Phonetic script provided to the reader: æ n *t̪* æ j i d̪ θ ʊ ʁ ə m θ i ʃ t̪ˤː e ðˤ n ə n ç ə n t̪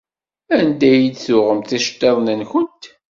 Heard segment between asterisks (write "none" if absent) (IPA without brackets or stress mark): d̪